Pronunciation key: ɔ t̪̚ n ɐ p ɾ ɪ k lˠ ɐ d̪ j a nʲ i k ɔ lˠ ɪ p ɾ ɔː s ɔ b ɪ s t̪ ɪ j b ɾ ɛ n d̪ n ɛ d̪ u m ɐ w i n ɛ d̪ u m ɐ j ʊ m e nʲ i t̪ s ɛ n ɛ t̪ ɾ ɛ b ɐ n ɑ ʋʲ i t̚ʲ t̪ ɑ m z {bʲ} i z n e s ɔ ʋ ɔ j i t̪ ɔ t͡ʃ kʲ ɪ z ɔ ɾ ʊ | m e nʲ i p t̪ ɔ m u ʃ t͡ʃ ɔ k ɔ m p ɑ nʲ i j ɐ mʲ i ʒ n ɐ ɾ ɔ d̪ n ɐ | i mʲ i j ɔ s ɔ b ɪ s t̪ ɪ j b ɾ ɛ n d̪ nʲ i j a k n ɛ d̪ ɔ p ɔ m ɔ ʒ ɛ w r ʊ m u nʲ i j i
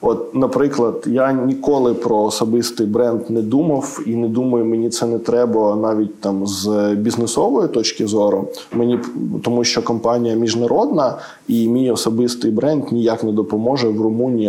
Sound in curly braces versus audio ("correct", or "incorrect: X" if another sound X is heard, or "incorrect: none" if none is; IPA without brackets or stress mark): correct